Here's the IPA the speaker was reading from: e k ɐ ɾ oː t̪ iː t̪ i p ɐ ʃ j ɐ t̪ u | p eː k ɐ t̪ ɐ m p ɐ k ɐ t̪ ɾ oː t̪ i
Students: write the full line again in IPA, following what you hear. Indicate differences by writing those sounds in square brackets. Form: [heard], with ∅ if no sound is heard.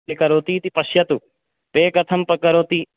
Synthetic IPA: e k ɐ ɾ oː t̪ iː t̪ i p ɐ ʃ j ɐ t̪ u | p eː k ɐ [t̪ʰ] ɐ m p ɐ k ɐ [∅] ɾ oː t̪ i